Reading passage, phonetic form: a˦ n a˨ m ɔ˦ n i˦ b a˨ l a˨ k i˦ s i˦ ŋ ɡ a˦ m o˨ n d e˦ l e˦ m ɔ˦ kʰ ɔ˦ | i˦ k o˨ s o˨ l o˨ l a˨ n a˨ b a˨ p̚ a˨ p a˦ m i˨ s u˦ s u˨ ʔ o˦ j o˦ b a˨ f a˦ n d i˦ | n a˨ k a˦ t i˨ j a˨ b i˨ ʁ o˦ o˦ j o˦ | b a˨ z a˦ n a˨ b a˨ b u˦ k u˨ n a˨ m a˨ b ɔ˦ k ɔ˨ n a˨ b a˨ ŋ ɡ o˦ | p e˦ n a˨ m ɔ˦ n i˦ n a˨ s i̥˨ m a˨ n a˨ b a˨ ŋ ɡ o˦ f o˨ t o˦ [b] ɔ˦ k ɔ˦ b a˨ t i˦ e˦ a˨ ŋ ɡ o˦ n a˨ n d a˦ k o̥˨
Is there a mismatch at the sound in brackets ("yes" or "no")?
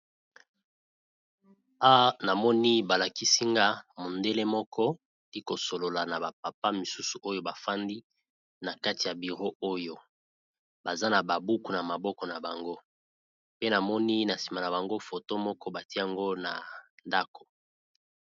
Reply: yes